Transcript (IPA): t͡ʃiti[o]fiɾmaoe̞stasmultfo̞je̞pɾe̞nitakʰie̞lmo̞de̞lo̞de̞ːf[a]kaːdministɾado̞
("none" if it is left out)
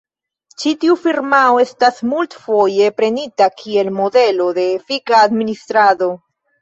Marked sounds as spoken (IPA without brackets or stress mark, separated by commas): u, i